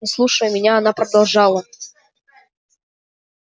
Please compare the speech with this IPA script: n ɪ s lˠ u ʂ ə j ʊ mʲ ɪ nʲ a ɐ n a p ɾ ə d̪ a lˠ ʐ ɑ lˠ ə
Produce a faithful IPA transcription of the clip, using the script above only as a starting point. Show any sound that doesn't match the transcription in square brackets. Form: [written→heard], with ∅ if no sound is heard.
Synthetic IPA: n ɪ s lˠ u ʂ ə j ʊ mʲ ɪ nʲ a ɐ n a p ɾ ə d̪ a lˠ ʐ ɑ lˠ ə